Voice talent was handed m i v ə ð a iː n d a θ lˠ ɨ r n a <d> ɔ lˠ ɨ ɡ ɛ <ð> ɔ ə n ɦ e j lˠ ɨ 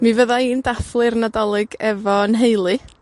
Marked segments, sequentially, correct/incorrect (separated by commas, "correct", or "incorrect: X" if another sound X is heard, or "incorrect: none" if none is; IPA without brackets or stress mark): correct, incorrect: v